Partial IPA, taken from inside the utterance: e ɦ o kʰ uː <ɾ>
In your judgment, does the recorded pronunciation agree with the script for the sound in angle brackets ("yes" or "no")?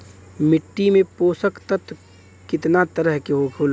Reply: no